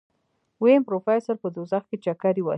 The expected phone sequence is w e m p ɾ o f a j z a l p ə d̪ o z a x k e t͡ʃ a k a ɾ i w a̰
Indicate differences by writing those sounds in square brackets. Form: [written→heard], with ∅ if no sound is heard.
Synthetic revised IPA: w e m p ɾ o f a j [z→s] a [l→ɾ] p ə d̪ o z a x k e t͡ʃ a k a ɾ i w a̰